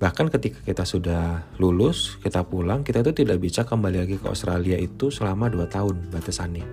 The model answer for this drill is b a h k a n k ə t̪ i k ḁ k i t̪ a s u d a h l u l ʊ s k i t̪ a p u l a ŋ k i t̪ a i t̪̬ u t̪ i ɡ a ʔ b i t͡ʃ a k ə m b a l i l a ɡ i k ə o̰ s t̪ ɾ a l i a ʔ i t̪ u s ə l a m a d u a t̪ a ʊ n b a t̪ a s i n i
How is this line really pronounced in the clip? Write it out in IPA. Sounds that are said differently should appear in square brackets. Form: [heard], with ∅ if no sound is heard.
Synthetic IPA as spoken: b a h k a n k ə t̪ i k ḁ k i t̪ a s u d a h l u l ʊ s k i t̪ a p u l a ŋ k i t̪ a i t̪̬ u t̪ i [d] a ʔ b i t͡ʃ a k ə m b a l i l a ɡ i k ə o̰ s t̪ ɾ a l i a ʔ i t̪ u s ə l a m a d u a t̪ a ʊ n b a t̪ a s [a] n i